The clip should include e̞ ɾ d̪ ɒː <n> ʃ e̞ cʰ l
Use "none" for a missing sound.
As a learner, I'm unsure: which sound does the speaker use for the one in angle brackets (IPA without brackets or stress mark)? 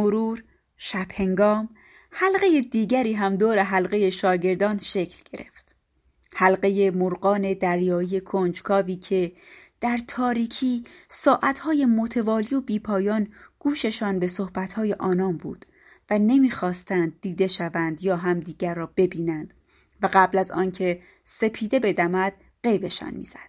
n